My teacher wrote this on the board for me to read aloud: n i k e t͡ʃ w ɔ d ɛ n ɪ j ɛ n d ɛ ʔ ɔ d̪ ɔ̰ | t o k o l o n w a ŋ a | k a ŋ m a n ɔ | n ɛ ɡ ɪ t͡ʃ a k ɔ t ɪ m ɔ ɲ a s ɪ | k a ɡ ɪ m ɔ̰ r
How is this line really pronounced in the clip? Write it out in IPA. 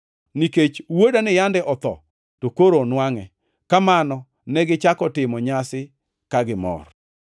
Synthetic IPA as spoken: n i k e t͡ʃ w o d a n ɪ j a n d ɛ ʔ ɔ t̪ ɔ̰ | t o k o ɾ o n w a ŋ ɛ | k a m a n ɔ | n ɛ ɡ ɪ t͡ʃ a k ɔ t ɪ m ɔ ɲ a s ɪ | k a ɡ ɪ m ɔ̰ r

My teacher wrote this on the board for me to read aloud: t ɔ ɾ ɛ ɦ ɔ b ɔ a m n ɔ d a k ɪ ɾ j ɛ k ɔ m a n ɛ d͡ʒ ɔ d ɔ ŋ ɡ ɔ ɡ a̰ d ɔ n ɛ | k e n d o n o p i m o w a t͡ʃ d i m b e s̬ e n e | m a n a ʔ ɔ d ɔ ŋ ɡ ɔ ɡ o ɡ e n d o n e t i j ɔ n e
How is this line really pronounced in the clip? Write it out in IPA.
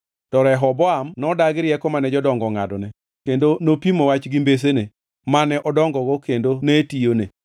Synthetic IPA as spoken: t ɔ ɾ ɛ ɦ ɔ b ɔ a m n ɔ d a ɡ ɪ ɾ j ɛ k ɔ m a n ɛ d͡ʒ ɔ d ɔ ŋ ɡ ɔ ŋ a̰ d ɔ n ɛ | k e n d o n o p i m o w a t͡ʃ ɡ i m b e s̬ e n e | m a n ɛ ʔ ɔ d ɔ ŋ ɡ ɔ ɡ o k e n d o n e t i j o n e

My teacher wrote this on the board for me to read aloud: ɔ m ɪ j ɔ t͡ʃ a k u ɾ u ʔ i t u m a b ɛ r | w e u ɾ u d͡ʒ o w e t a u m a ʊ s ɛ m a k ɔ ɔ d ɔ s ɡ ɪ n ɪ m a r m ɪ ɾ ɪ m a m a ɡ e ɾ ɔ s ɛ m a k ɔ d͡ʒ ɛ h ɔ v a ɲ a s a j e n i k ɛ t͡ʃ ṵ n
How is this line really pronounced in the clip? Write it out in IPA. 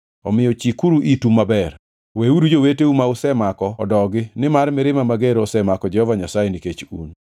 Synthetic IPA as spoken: ɔ m ɪ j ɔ t͡ʃ i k u ɾ u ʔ i t u m a b ɛ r | w e u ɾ u d͡ʒ o w e t e u m a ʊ s ɛ m a k ɔ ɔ d ɔ ɡ ɪ n ɪ m a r m ɪ ɾ ɪ m a m a ɡ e ɾ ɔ s ɛ m a k ɔ d͡ʒ ɛ h ɔ v a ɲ a s a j e n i k e t͡ʃ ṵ n

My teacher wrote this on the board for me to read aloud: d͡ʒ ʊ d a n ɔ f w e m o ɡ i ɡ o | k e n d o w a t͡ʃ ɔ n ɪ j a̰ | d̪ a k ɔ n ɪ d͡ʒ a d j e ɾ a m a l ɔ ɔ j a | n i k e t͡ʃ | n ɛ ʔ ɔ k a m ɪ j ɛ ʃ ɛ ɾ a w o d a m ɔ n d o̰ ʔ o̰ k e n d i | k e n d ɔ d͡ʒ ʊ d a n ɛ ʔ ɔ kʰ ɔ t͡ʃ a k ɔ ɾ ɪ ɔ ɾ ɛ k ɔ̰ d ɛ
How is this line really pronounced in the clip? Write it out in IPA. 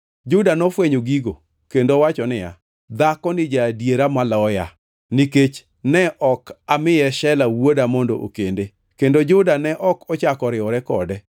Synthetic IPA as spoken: d͡ʒ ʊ d a n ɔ f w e ɲ o ɡ i ɡ o | k e n d o w a t͡ʃ ɔ n ɪ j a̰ | d̪ a k ɔ n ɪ d͡ʒ a d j e ɾ a m a l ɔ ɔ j a | n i k e t͡ʃ | n ɛ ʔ ɔ k a m ɪ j ɛ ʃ ɛ l a w o d a m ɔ n d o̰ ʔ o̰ k e n d e | k e n d o d͡ʒ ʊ d a n ɛ ʔ ɔ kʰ ɔ t͡ʃ a k ɔ ɾ ɪ ɔ ɾ ɛ k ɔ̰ d ɛ

